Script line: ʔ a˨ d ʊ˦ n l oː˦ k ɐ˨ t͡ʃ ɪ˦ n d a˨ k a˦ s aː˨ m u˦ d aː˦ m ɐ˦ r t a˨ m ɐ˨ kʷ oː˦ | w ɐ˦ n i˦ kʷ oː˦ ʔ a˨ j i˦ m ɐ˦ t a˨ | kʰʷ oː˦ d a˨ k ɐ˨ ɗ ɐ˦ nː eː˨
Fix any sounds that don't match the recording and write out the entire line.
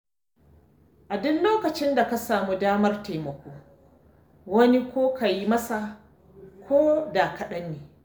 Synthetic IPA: ʔ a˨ d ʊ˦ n l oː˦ k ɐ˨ t͡ʃ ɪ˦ n d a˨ k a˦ s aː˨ m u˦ d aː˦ m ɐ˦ r t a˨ m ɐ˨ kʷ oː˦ | w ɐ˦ n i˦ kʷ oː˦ k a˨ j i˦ m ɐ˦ s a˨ | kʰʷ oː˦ d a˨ k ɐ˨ ɗ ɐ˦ nː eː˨